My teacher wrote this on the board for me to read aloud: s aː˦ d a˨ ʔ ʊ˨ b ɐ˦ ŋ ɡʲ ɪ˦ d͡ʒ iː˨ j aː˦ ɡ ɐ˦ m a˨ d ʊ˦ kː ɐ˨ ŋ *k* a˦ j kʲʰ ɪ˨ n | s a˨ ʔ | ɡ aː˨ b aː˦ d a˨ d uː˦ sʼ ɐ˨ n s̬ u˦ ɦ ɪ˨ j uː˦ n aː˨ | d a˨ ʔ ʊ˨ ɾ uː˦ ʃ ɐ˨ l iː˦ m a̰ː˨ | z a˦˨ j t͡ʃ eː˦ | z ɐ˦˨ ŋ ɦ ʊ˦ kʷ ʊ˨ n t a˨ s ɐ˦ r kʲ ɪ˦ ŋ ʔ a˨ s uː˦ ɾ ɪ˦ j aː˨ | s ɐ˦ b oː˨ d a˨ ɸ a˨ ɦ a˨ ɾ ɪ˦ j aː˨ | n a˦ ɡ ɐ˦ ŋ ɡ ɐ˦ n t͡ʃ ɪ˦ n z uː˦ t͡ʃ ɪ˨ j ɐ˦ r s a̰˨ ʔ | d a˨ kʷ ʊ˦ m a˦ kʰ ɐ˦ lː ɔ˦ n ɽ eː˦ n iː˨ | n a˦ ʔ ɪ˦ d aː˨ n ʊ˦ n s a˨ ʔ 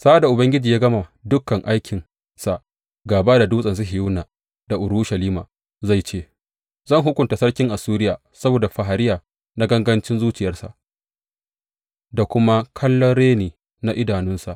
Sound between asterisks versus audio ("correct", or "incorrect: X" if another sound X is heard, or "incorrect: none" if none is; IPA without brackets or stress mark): incorrect: ʔ